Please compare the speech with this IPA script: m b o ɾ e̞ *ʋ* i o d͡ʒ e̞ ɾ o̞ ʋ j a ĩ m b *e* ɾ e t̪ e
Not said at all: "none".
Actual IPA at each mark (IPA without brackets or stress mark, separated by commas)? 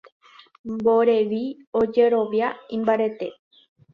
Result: ʋ, a